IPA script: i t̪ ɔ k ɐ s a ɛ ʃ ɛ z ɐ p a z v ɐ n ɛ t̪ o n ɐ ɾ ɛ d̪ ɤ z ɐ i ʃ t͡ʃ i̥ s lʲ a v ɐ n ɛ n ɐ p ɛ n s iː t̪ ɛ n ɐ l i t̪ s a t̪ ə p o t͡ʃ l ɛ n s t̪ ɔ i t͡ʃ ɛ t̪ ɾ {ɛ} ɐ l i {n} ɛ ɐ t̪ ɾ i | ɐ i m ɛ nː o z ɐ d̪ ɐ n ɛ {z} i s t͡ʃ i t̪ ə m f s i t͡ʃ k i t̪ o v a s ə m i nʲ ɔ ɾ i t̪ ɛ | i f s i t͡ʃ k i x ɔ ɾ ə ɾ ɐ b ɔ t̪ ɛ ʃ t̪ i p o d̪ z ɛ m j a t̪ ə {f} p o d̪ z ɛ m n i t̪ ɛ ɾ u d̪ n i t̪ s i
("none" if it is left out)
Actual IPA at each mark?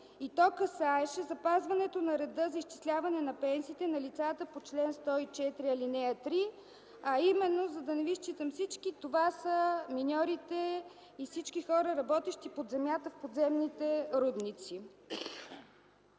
i, n, v, f

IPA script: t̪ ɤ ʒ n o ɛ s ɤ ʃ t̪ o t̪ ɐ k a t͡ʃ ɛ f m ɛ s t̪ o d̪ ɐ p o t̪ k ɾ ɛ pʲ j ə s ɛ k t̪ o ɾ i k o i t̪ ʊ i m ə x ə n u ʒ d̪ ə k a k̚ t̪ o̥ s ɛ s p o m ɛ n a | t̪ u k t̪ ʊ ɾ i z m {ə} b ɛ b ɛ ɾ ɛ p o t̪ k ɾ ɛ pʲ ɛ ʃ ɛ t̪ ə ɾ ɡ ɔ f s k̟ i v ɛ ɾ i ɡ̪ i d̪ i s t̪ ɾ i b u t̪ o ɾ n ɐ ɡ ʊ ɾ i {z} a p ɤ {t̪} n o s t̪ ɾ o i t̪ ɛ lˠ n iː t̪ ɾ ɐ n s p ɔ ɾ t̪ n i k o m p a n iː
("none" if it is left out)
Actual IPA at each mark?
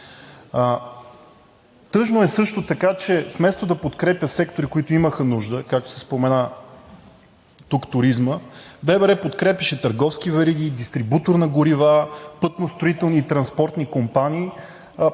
ə, v, t̪

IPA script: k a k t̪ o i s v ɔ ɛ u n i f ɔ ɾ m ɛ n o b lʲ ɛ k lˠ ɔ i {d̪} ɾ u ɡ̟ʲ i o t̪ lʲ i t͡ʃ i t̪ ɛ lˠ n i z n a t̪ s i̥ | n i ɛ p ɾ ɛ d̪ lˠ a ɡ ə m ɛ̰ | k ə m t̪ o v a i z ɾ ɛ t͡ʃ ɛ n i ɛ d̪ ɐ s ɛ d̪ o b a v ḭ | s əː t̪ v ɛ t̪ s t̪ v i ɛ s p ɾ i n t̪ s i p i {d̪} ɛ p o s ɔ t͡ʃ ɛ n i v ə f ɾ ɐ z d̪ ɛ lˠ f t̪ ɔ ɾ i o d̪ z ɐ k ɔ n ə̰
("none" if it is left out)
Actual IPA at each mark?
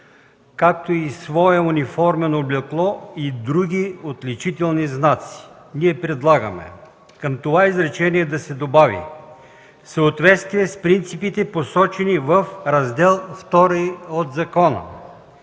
d̪, t̪

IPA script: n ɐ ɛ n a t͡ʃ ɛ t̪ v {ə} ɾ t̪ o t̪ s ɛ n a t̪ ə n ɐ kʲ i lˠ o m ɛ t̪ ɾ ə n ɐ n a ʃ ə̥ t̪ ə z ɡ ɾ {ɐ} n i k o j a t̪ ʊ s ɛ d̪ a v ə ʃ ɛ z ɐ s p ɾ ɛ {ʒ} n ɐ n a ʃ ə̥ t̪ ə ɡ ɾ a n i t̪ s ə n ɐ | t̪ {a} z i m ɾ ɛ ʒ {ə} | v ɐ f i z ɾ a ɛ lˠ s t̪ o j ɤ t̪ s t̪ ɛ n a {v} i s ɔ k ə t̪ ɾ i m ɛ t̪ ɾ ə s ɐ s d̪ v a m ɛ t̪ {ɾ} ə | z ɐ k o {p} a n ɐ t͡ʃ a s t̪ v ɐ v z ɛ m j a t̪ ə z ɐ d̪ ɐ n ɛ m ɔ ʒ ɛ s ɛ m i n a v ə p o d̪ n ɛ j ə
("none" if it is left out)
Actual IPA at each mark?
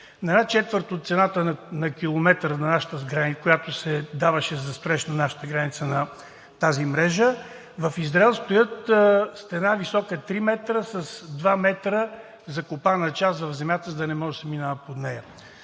ə, a, ʃ, a, ə, v, ɾ, p

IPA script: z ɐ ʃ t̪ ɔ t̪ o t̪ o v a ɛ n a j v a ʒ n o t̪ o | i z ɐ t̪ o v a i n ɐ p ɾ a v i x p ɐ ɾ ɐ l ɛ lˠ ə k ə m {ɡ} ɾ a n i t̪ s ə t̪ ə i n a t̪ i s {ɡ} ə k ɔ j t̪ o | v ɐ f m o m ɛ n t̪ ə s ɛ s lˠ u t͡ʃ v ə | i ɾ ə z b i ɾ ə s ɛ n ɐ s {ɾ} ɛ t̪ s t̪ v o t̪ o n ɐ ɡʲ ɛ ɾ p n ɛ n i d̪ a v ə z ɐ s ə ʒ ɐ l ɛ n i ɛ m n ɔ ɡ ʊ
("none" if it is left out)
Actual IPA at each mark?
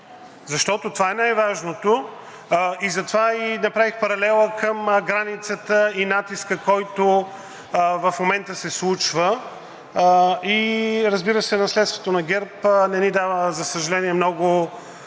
ɡ, k, l

